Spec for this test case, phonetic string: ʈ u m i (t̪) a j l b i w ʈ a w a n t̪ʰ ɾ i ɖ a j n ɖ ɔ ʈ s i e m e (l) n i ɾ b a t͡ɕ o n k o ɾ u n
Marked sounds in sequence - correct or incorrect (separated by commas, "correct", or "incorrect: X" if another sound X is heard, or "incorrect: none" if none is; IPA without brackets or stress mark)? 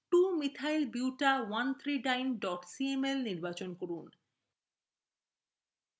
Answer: incorrect: t̪ʰ, correct